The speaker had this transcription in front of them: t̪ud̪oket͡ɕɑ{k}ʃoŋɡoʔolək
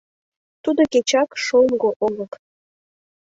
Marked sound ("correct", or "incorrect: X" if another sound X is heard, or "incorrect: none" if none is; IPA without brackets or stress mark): correct